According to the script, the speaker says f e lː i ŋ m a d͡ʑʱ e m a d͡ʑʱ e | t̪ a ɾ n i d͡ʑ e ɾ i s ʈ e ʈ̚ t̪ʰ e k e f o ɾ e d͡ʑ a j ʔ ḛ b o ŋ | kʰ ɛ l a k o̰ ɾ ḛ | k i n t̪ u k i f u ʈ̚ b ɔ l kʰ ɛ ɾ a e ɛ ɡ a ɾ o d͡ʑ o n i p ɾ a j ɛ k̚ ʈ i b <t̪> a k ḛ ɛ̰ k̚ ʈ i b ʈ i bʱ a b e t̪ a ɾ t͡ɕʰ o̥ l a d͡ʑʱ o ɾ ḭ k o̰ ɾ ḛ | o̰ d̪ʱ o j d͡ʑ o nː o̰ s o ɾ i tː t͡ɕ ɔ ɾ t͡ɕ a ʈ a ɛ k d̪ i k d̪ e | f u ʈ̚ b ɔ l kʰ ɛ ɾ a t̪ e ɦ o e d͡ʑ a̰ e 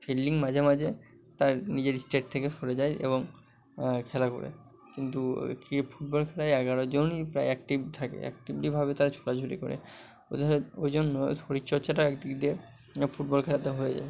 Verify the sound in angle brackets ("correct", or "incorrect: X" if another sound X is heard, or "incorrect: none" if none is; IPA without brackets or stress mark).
incorrect: t̪ʰ